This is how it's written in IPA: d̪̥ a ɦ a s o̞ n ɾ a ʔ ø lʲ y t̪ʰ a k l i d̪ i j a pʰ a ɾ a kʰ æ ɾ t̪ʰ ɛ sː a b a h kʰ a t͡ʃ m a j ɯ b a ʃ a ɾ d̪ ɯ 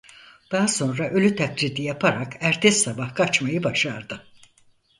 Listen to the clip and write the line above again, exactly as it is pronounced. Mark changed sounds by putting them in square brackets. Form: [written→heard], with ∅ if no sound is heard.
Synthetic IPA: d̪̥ a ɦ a s o̞ n ɾ a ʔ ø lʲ y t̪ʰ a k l i d̪ i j a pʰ a ɾ a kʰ æ ɾ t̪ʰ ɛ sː a b a h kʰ a t͡ʃ m a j ɯ b a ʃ a ɾ d̪ ɯ